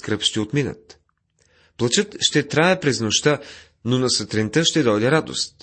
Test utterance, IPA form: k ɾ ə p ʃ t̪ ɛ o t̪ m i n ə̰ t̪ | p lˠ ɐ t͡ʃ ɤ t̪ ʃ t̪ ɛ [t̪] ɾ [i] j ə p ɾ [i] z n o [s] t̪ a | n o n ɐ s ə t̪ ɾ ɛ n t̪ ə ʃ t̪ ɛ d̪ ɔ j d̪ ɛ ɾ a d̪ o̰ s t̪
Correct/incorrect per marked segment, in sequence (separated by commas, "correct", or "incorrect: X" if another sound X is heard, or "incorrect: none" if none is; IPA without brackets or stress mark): correct, incorrect: a, incorrect: ɛ, incorrect: ʃ